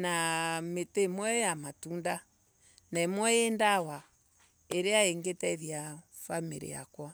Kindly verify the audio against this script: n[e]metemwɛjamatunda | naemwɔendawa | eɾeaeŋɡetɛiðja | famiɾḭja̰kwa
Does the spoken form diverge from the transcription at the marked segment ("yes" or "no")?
yes